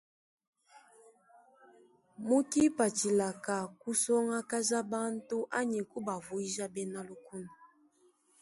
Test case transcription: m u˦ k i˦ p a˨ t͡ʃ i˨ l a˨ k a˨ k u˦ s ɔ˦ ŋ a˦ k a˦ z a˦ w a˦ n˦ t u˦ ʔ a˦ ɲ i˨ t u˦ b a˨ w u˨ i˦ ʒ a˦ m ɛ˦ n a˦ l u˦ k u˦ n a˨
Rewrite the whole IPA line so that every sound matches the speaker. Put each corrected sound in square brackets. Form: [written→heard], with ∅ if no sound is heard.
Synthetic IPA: m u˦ k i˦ p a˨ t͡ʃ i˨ l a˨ k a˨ k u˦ s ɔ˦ ŋ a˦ k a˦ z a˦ [w→b] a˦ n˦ t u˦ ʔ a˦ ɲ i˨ [t→k] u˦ b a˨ [w→v] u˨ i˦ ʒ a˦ [m→b] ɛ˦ n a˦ l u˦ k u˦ n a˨